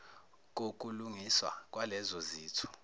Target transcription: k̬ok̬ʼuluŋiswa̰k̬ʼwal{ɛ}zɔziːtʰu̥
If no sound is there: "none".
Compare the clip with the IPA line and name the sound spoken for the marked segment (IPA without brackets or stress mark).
ɛ